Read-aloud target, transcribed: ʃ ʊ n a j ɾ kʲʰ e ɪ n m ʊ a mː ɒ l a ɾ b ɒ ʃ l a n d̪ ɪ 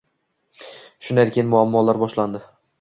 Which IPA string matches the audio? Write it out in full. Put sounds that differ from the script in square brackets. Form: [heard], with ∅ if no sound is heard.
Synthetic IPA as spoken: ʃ ʊ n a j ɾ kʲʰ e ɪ n m ʊ a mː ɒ l a ɾ b ɒ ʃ l a n d̪ ɪ